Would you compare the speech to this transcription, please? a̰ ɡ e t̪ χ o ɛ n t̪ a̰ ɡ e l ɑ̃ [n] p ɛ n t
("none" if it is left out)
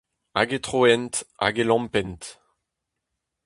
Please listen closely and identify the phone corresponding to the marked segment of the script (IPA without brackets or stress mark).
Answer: m